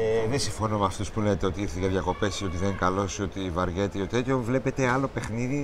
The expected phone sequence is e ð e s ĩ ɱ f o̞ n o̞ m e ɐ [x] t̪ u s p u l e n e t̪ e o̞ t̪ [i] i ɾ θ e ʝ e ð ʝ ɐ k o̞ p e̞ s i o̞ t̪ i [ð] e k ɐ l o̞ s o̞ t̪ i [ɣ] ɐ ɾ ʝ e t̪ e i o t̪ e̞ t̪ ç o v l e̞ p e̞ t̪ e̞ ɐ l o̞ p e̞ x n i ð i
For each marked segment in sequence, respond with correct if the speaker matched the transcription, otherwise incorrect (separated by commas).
incorrect, correct, correct, incorrect